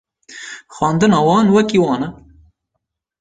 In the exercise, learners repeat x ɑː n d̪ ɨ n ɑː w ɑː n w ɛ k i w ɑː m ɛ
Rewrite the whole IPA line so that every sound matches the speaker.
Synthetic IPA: x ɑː n d̪ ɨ n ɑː w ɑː n w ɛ k i w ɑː n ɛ